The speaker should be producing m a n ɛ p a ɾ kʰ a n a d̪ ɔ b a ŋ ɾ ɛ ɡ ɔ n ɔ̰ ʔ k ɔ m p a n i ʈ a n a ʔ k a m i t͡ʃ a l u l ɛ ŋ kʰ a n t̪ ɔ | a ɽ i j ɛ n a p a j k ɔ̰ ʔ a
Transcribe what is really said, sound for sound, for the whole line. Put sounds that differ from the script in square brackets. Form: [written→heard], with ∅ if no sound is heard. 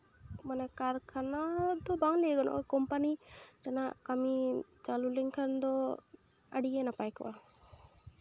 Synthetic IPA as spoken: m a n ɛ [p→k] a ɾ kʰ a n a d̪ ɔ b a ŋ [ɾ→l] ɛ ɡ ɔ n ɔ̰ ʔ k ɔ m p a n i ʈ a n a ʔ k a m i t͡ʃ a l u l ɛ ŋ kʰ a n [t̪→d̪] ɔ | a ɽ i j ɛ n a p a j k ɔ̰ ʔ a

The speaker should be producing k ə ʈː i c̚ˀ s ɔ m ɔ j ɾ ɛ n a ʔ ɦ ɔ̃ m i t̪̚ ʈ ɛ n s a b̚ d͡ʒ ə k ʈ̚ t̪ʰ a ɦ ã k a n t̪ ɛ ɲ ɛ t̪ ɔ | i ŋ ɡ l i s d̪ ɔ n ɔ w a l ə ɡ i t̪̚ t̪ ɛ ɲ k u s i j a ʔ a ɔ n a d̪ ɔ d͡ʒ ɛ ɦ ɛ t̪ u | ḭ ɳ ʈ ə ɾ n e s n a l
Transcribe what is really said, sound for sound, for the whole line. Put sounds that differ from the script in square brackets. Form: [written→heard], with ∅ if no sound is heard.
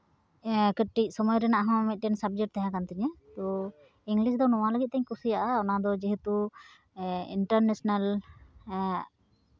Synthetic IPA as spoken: k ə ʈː i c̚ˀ s ɔ m ɔ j ɾ ɛ n a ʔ ɦ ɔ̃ m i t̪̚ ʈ ɛ n s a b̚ d͡ʒ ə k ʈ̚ [t̪ʰ→t̪] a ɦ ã k a n t̪ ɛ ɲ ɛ t̪ ɔ | i ŋ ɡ l i s d̪ ɔ n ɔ w a l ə ɡ i t̪̚ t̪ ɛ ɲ k u s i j a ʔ a ɔ n a d̪ ɔ d͡ʒ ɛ ɦ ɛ t̪ u | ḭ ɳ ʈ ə ɾ n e s n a l

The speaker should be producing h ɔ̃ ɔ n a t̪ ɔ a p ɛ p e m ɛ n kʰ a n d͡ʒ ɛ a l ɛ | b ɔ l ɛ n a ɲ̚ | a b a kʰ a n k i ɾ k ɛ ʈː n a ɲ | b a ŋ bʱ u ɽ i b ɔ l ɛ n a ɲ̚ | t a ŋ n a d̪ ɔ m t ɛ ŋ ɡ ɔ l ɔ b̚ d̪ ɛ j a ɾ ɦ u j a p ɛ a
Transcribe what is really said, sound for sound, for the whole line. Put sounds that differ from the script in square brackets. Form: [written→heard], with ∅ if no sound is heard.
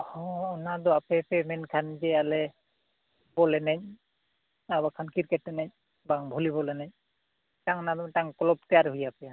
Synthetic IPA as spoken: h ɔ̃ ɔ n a [t̪→d̪] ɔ a p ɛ p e m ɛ n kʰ a n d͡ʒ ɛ a l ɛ | b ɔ l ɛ n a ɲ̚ | a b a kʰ a n k i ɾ k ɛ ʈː n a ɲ | b a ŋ bʱ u [ɽ→l] i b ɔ l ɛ n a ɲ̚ | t a ŋ n a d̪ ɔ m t [ɛ→a] ŋ [ɡ→k] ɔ l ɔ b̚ [d̪→t̪] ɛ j a ɾ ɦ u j a p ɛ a

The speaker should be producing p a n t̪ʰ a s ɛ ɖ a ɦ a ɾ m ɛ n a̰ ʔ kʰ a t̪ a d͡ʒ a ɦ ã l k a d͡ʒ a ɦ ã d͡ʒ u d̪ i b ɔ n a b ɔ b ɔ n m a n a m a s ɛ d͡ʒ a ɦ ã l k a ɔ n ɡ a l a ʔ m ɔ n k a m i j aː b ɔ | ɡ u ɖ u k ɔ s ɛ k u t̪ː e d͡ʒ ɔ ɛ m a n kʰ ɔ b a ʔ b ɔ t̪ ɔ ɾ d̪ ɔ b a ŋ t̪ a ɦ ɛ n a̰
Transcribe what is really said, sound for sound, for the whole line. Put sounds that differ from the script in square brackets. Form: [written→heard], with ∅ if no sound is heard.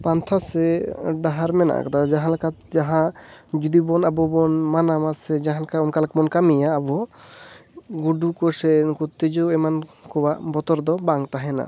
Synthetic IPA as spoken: p a n t̪ʰ a s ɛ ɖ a ɦ a ɾ m ɛ n a̰ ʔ [kʰ→k] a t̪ a d͡ʒ a ɦ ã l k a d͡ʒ a ɦ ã d͡ʒ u d̪ i b ɔ n a b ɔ b ɔ n m a n a m a s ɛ d͡ʒ a ɦ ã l k a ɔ n [ɡ→k] a l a [ʔ→k] m ɔ n k a m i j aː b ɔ | ɡ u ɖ u k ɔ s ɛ k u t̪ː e d͡ʒ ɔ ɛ m a n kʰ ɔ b a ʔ b ɔ t̪ ɔ ɾ d̪ ɔ b a ŋ t̪ a ɦ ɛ n a̰

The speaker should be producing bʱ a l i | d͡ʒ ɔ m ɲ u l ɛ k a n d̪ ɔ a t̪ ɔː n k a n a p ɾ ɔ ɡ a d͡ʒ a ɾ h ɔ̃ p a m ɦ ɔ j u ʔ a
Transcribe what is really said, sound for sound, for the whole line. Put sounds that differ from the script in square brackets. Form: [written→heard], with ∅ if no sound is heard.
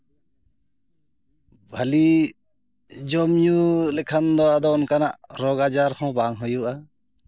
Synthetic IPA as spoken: bʱ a l i | d͡ʒ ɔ m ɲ u l ɛ [k→kʰ] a n d̪ ɔ a [t̪→d̪] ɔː n k a n a [p→ʔ] ɾ ɔ ɡ a d͡ʒ a ɾ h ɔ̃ [p→b] a [m→ŋ] ɦ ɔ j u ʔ a

